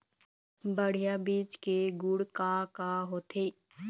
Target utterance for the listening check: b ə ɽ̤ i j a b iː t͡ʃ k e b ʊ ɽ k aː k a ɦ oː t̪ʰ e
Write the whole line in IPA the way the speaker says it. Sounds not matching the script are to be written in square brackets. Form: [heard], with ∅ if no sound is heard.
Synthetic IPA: b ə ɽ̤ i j a b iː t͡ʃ k e [ɡ] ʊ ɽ k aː k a ɦ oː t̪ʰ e